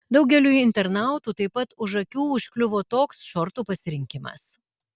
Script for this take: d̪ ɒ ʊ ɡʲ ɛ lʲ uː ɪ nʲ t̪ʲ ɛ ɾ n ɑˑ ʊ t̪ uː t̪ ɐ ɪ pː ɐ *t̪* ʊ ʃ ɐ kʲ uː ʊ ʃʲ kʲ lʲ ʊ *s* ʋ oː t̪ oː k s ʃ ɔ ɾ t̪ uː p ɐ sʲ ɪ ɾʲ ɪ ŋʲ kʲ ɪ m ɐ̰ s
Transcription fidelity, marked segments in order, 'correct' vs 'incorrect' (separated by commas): correct, incorrect